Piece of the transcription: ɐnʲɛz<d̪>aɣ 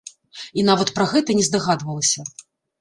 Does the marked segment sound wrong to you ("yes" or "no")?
no